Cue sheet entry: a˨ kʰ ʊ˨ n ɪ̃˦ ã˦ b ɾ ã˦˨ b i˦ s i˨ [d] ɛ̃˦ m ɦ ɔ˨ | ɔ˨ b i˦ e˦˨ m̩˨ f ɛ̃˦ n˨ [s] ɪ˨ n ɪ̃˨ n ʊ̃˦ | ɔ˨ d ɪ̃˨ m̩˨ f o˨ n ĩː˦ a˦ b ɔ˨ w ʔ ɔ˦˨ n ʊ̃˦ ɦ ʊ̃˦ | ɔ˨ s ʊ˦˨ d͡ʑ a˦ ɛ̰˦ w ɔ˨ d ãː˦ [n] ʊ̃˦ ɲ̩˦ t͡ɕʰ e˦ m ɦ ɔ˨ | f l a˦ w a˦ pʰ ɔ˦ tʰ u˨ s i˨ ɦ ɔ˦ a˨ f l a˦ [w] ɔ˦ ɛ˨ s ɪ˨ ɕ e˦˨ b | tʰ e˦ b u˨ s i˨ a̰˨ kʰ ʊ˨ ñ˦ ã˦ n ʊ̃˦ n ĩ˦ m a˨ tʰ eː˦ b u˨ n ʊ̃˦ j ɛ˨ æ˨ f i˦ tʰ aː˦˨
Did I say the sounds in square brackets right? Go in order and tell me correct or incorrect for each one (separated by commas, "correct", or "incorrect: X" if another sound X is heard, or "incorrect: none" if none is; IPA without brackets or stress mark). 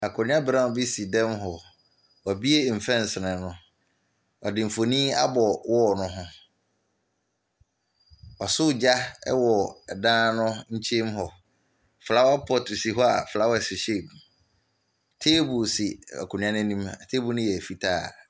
correct, correct, correct, correct